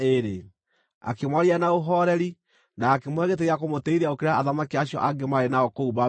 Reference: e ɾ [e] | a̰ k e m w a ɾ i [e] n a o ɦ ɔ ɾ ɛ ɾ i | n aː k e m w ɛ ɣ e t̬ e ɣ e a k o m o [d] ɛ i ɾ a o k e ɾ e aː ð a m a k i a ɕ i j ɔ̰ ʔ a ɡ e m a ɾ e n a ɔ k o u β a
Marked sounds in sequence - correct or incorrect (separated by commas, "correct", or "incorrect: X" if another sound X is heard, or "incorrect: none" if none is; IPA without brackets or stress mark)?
correct, incorrect: a, incorrect: t